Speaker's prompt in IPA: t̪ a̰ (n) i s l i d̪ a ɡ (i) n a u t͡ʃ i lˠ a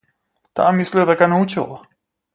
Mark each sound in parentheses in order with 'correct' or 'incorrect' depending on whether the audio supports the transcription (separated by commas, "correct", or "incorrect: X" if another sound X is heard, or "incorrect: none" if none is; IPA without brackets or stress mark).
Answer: incorrect: m, incorrect: a